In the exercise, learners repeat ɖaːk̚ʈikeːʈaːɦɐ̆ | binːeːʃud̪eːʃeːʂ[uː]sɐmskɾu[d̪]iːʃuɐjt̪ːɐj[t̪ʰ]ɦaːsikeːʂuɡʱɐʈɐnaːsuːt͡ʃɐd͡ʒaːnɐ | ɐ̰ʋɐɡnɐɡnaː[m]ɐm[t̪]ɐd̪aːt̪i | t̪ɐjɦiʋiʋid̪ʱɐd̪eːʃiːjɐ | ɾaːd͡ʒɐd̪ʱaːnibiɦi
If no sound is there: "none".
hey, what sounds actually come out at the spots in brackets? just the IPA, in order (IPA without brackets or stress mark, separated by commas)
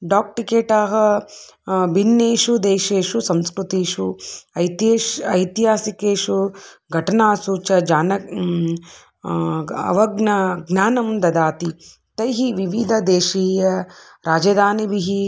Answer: u, t̪, t̪, n, d̪